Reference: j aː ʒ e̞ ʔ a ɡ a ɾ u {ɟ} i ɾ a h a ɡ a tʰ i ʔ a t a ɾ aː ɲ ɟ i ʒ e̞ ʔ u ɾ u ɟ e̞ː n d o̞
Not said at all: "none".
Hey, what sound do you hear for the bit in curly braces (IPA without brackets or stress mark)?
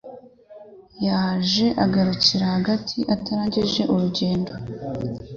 c